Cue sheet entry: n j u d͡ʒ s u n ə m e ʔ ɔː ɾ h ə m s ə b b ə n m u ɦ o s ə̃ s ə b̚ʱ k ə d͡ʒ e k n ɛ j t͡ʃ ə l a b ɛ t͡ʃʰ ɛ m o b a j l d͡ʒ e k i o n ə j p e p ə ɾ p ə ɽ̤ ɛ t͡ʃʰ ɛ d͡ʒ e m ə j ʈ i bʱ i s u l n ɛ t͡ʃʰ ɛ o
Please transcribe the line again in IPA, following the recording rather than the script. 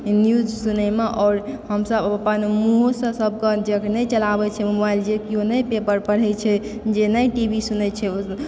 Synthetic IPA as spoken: n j u d͡ʒ s u n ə m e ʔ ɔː ɾ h ə m s ə b p ə n m u ɦ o s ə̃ s ə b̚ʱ k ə d͡ʒ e k n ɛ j t͡ʃ ə l a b ɛ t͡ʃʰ ɛ m o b a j l d͡ʒ e k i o n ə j p e p ə ɾ p ə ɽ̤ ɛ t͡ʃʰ ɛ d͡ʒ e n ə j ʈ i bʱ i s u n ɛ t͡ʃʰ ɛ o